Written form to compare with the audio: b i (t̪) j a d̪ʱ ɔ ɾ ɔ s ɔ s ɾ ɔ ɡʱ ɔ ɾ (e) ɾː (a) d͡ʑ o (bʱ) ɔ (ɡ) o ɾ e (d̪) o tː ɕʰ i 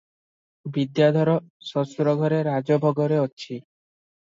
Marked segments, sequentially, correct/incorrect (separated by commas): incorrect, correct, correct, correct, correct, incorrect